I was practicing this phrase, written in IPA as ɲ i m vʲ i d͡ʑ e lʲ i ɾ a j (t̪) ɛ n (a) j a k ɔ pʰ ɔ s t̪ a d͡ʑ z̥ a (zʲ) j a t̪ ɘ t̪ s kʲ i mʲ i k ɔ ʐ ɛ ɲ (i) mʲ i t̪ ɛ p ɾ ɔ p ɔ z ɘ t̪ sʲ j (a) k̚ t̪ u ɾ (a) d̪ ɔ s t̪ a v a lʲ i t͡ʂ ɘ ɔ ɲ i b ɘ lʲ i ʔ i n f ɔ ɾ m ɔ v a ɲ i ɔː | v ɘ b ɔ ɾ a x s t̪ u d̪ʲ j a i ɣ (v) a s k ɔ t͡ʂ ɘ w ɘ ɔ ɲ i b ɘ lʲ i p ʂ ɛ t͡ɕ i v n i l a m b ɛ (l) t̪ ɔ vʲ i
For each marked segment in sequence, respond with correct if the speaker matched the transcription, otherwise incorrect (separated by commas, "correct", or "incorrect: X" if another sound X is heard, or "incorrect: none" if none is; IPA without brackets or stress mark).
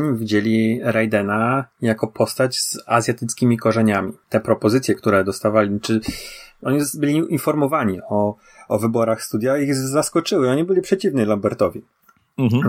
incorrect: d̪, correct, correct, incorrect: a, incorrect: ɛ, incorrect: ɛ, incorrect: z, incorrect: ɾ